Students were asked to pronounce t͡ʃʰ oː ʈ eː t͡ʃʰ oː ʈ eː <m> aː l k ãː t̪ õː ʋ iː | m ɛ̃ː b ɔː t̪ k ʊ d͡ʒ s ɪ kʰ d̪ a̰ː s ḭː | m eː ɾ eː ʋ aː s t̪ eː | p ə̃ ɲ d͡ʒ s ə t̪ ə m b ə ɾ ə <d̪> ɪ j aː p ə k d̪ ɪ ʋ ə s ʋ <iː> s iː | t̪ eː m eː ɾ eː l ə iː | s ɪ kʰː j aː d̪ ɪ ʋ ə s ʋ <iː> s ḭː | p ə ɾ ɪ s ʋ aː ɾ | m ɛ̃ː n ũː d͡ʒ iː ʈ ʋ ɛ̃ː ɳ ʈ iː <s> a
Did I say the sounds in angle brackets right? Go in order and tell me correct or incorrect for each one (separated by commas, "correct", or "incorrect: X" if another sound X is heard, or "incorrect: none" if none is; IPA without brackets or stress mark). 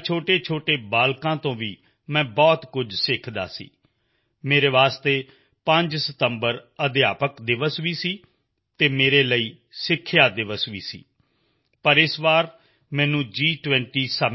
incorrect: b, correct, correct, correct, correct